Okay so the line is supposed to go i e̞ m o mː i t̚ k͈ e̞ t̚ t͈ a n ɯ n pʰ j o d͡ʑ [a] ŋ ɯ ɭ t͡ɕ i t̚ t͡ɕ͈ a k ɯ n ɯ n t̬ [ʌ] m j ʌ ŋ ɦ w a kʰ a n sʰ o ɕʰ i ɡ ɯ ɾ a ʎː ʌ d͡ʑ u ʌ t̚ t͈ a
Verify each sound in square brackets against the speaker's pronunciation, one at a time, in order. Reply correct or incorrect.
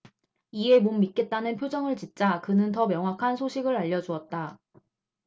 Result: incorrect, correct

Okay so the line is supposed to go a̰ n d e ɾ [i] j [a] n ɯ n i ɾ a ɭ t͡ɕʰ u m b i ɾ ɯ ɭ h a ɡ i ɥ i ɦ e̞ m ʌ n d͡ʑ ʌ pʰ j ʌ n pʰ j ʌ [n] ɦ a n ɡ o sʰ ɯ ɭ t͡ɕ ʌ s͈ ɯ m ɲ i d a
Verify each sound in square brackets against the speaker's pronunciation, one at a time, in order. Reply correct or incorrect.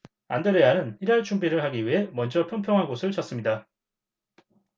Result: incorrect, correct, incorrect

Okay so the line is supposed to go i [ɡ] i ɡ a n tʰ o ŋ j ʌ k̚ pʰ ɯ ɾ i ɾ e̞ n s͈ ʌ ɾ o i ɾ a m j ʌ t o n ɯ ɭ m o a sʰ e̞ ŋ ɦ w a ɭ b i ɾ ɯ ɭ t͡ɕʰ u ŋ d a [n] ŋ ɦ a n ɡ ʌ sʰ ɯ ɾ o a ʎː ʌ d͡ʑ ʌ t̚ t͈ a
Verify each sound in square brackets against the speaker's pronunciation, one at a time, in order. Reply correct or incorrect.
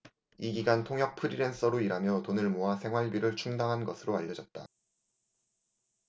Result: correct, incorrect

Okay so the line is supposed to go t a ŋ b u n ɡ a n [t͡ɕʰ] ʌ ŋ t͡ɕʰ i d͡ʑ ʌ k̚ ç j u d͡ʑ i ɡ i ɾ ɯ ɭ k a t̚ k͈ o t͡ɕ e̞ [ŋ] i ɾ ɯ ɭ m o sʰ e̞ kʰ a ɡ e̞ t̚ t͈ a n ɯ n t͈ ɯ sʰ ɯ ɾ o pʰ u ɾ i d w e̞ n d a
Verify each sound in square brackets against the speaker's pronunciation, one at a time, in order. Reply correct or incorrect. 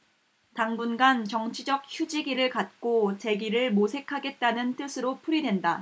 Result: incorrect, incorrect

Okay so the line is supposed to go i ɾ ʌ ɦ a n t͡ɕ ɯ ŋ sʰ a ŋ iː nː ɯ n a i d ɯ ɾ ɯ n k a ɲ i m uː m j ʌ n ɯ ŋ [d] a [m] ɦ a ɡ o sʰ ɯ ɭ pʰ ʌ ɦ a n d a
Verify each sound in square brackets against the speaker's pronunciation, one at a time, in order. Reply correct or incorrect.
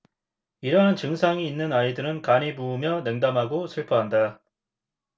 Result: correct, correct

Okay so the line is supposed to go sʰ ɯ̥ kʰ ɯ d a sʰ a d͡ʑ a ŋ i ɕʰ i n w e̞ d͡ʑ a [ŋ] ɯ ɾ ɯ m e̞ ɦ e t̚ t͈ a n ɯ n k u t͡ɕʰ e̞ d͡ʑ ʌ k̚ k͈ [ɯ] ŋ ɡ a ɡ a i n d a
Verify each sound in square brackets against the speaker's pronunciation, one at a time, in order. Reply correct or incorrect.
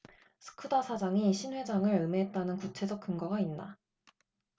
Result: correct, correct

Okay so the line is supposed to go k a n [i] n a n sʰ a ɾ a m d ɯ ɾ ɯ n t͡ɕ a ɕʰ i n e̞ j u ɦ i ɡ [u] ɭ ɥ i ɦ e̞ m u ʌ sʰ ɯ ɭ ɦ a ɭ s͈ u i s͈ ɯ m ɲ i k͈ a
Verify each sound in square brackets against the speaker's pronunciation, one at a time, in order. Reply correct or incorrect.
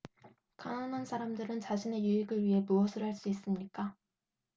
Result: incorrect, incorrect

